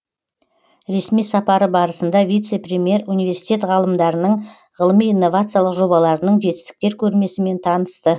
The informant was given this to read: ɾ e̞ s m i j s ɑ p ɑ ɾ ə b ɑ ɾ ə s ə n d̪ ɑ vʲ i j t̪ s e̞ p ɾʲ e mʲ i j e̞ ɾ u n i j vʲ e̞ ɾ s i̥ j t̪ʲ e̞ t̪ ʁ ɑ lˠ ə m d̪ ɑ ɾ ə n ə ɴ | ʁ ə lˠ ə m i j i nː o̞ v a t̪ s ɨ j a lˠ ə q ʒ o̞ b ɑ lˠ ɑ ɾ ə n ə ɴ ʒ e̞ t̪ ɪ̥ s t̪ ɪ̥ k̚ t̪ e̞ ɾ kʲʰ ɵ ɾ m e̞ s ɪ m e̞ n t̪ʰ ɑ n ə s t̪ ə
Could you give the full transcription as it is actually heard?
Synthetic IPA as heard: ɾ e̞ s m i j s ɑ p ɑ ɾ ə b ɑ ɾ ə s ə n d̪ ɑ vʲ i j t̪ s e̞ p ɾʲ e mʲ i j e̞ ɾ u n i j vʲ e̞ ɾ s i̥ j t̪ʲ e̞ t̪ ʁ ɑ lˠ ə m d̪ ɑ ɾ ə n ə ɴ | ʁ ə lˠ ə m i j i nː o̞ v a t̪ s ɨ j a lˠ ə q ʒ o̞ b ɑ lˠ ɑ ɾ ə n ə ɴ ʒ e̞ t̪ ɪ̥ s t̪ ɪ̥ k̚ t̪ e̞ ɾ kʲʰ ɵ ɾ m e̞ s ɪ m e̞ n t̪ʰ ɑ n ə s t̪ ə